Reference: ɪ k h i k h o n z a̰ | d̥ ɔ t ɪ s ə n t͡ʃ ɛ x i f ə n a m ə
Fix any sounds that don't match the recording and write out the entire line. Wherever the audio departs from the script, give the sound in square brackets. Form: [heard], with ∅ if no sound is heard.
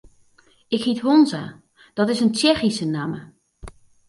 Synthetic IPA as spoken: ɪ k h i [t] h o n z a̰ | d̥ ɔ t ɪ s ə n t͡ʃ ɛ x i [s] ə n a m ə